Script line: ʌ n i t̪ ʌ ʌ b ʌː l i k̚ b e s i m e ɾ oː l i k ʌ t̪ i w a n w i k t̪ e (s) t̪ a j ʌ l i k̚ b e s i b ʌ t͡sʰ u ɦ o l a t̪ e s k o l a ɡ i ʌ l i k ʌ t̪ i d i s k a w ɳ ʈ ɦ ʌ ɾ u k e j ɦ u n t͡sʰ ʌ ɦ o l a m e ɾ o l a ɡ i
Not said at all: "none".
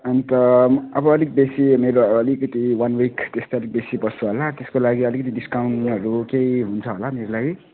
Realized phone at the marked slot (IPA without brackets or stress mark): s